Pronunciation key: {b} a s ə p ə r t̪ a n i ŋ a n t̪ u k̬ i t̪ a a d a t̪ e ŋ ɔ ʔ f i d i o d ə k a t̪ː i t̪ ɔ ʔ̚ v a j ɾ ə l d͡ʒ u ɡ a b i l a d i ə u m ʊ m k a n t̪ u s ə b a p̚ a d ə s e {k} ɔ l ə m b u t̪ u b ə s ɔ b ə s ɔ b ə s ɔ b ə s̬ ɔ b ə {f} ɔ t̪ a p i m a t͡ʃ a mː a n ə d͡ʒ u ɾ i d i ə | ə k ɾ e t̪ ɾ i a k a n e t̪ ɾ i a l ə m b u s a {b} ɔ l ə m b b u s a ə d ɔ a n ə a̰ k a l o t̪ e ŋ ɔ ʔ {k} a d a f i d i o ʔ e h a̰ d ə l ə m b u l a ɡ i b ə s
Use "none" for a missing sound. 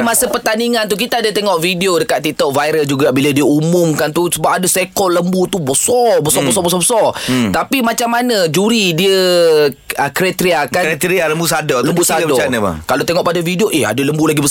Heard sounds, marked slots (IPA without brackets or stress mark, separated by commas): m, k, s, d, p